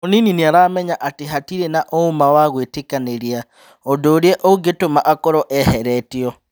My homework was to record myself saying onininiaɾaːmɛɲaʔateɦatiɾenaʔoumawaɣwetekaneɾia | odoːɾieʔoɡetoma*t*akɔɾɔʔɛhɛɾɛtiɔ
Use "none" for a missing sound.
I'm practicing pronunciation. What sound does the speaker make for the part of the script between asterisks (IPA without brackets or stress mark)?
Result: ʔ